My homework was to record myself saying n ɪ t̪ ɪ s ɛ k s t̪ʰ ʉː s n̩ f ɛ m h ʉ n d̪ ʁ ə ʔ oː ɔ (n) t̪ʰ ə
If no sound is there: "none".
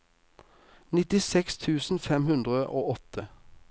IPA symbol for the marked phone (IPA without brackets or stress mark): none